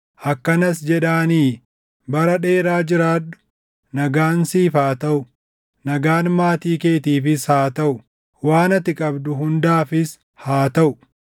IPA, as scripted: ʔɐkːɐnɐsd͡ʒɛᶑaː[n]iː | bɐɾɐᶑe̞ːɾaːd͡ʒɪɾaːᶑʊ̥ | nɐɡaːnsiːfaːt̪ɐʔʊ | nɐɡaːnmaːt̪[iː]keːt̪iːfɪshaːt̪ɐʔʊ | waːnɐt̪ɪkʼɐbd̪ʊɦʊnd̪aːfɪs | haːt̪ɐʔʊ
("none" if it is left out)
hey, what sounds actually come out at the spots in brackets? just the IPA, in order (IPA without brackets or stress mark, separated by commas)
n, iː